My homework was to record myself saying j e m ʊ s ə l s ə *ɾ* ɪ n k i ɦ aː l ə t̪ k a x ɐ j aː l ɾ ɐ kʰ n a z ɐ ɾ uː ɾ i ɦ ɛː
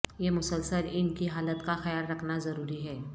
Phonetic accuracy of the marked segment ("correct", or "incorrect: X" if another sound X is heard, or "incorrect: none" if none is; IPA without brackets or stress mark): incorrect: l